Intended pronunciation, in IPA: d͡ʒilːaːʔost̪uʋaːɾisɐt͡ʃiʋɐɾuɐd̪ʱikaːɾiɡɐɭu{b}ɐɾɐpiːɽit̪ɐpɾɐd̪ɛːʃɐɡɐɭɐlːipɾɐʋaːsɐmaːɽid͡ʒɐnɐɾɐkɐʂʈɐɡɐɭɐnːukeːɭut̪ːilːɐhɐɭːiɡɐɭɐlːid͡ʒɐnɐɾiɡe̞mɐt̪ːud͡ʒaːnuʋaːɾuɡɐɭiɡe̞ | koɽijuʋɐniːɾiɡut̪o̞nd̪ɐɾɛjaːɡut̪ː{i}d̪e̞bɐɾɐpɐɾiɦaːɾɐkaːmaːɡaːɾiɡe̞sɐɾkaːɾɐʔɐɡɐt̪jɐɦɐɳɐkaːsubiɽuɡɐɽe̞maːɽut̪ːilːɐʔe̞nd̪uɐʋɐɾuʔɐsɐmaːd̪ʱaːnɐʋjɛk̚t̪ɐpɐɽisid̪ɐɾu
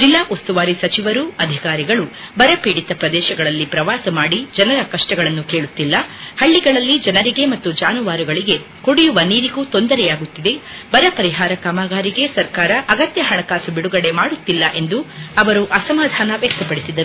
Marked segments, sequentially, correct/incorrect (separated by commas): correct, correct